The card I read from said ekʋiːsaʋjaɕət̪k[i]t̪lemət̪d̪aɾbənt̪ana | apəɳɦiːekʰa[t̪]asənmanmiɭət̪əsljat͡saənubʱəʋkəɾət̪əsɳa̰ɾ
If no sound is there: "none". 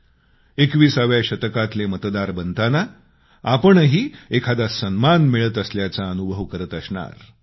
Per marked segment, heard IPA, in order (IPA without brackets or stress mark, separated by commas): a, d̪